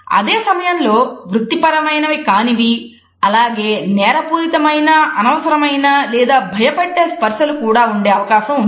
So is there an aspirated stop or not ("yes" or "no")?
no